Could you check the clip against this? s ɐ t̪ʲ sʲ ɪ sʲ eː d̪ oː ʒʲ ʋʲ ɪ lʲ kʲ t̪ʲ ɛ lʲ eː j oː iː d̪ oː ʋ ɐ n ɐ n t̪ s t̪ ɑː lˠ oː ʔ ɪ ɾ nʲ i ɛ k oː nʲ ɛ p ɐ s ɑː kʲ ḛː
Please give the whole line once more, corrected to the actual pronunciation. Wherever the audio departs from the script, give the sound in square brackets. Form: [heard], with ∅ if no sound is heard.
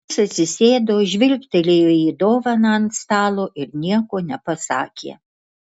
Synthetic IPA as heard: s ɐ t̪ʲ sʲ ɪ sʲ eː d̪ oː ʒʲ ʋʲ ɪ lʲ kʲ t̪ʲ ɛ lʲ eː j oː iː d̪ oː ʋ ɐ n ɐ n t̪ s t̪ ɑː lˠ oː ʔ ɪ ɾ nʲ i ɛ k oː nʲ ɛ p ɐ s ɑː kʲ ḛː